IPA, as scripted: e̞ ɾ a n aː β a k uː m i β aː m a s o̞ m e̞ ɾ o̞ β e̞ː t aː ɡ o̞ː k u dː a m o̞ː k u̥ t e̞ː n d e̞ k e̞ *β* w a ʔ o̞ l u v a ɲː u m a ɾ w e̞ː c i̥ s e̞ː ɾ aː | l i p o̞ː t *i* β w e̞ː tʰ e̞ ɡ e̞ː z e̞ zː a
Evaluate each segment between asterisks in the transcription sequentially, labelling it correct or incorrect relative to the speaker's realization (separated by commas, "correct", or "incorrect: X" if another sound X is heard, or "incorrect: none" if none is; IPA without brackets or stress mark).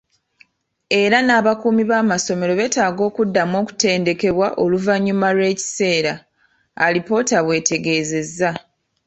correct, incorrect: a